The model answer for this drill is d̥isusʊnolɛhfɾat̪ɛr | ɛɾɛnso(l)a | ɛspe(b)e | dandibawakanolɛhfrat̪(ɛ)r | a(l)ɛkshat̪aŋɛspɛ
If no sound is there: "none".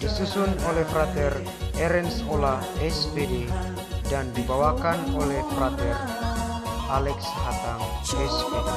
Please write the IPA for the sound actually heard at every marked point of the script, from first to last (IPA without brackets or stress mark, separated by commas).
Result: l, d, ɛ, l